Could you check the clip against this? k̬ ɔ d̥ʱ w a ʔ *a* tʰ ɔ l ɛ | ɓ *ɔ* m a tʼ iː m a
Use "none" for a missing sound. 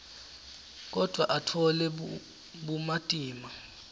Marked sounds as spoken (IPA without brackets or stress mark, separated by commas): a, u